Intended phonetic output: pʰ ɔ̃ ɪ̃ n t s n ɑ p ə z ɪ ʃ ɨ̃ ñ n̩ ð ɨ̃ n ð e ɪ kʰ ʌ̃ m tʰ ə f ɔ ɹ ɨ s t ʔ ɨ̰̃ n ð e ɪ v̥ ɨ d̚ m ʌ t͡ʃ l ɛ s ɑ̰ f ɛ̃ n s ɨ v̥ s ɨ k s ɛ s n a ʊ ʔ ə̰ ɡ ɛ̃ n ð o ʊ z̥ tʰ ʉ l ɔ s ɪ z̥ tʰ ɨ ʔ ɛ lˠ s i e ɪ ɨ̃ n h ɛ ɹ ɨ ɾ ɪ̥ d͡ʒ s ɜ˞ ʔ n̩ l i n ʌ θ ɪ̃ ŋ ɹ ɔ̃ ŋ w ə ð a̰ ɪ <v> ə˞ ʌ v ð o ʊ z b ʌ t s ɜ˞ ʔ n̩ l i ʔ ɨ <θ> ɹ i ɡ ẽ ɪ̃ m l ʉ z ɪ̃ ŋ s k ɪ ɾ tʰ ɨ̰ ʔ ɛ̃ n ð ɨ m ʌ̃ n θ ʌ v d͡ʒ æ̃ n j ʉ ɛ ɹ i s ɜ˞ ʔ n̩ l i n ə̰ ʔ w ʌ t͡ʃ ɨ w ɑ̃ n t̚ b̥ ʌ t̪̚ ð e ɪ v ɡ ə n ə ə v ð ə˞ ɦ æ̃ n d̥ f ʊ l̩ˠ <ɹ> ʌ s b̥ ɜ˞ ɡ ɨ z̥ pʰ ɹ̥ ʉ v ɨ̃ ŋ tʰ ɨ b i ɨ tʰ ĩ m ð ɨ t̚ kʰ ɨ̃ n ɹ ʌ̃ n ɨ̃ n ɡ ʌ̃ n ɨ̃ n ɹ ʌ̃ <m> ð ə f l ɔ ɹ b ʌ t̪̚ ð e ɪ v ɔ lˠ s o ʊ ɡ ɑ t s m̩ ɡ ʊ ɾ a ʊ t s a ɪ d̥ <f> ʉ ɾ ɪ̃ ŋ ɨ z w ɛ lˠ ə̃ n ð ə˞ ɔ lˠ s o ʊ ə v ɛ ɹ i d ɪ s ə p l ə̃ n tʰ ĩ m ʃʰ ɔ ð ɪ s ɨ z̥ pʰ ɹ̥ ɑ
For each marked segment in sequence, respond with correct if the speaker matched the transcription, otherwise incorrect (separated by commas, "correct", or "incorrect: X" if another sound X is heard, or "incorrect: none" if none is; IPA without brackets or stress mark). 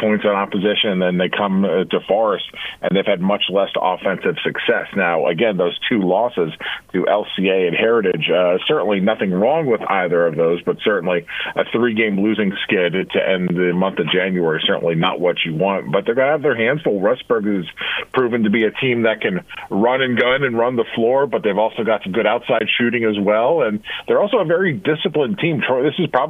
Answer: incorrect: ð, correct, correct, incorrect: n, incorrect: ʃ